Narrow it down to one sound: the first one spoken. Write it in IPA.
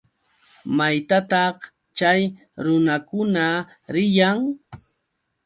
m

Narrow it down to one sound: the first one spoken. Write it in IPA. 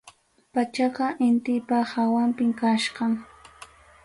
p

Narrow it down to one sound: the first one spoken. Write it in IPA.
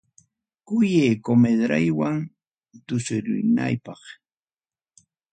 k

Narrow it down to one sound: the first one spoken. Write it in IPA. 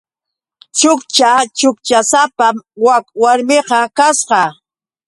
t͡ʃ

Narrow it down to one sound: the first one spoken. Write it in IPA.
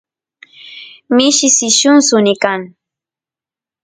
m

